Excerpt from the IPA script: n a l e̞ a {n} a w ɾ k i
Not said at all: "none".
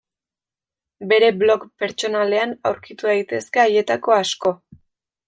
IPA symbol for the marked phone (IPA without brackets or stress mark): n